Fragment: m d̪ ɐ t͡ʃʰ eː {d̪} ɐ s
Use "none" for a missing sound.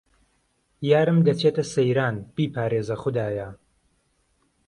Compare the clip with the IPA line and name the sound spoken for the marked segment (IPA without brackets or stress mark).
t̪